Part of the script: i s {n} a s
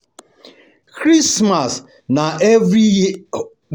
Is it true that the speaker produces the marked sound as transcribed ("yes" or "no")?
no